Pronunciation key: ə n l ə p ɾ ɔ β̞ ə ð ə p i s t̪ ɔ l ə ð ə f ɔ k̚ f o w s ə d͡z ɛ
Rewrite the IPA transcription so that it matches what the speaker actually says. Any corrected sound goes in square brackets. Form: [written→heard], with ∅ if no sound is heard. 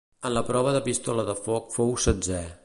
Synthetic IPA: ə n l ə p ɾ ɔ β̞ ə ð ə p i s t̪ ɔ l ə ð ə f ɔ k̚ f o w s ə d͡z ɛ